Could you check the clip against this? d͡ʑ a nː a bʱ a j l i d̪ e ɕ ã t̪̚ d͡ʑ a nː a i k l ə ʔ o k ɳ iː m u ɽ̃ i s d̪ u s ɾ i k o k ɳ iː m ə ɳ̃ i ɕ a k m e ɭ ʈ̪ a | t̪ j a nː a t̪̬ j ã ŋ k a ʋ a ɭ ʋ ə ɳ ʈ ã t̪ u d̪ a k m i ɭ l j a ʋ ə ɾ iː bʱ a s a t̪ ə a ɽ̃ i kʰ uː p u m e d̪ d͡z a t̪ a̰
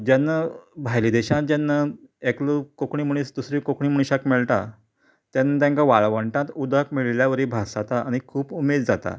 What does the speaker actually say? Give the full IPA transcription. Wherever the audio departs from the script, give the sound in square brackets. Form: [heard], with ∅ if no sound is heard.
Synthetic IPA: d͡ʑ a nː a bʱ a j l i d̪ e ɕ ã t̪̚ d͡ʑ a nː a [e] k l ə [k] o k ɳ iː m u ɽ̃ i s d̪ u s ɾ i k o k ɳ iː m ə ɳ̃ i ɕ a k m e ɭ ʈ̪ a | t̪ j a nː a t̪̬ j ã ŋ k a ʋ a ɭ ʋ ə ɳ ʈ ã t̪ u d̪ a k m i ɭ l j a ʋ ə ɾ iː bʱ a s a t̪ [a] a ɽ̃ i kʰ uː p u m e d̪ d͡z a t̪ a̰